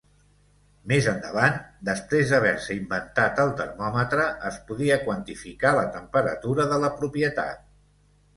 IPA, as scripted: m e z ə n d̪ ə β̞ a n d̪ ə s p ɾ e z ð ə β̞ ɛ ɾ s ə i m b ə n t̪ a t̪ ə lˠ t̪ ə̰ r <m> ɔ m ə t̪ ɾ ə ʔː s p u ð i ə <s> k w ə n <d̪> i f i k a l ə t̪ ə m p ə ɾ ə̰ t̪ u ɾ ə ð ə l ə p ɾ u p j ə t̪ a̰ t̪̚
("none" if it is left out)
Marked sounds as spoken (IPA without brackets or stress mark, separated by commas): m, none, t̪